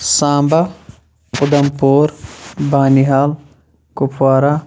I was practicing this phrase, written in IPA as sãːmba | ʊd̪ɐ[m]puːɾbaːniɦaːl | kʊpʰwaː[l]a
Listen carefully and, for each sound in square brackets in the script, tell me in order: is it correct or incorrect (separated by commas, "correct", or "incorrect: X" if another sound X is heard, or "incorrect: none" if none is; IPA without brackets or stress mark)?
correct, incorrect: ɾ